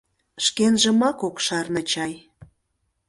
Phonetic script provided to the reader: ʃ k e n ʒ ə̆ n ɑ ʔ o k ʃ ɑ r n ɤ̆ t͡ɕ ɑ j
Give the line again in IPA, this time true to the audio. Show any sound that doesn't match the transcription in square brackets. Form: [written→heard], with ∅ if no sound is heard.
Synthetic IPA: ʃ k e n ʒ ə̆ [n→m] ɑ [ʔ→k] o k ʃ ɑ r n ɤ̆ t͡ɕ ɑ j